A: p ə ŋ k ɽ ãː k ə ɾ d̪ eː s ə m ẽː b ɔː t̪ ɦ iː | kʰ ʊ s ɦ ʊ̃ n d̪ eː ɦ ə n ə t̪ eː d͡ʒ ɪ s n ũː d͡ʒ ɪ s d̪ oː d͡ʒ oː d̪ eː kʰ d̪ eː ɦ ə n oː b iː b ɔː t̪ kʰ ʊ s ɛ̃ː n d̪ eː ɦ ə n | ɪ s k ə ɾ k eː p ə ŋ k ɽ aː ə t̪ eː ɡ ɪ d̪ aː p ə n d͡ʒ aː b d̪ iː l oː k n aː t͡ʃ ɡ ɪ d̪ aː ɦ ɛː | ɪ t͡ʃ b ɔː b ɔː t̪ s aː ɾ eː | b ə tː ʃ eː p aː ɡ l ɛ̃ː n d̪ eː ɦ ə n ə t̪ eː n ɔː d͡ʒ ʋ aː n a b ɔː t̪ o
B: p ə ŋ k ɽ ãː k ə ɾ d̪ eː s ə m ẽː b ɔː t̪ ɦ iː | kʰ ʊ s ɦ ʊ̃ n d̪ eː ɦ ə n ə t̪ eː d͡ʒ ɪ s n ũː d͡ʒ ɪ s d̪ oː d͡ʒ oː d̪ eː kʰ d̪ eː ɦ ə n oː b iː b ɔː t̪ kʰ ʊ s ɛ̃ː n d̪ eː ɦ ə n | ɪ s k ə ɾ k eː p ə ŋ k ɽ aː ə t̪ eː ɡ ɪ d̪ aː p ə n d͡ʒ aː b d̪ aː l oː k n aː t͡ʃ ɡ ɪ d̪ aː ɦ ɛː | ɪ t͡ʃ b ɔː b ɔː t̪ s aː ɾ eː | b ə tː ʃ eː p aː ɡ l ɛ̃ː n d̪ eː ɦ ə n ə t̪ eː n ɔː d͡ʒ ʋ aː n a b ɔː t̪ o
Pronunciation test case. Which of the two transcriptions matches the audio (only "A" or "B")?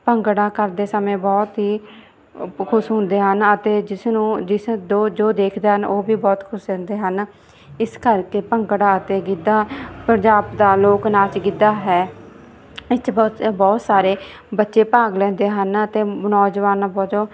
B